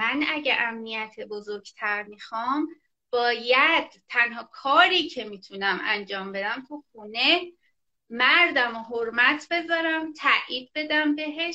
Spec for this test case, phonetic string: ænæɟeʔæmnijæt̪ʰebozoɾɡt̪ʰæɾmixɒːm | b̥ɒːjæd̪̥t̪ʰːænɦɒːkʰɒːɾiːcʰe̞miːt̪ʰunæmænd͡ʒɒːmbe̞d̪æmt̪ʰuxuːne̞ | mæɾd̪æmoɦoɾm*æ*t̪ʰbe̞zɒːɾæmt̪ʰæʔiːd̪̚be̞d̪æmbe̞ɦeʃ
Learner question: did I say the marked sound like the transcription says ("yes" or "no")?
yes